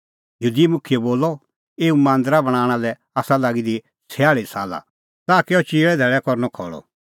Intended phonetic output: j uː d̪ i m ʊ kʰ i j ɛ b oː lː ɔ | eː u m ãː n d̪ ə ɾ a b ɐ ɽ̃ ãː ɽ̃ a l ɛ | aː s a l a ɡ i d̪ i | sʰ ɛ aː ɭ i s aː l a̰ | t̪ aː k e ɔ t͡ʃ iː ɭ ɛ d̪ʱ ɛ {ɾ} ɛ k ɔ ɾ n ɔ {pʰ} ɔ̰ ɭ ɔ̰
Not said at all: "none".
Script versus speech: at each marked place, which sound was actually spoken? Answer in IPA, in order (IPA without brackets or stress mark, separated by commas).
ɭ, kʰ